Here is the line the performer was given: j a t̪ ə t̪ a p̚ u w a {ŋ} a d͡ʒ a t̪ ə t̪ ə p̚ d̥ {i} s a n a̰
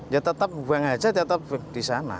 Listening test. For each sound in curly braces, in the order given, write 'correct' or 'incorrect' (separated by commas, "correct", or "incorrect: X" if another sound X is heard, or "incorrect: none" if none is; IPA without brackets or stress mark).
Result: correct, correct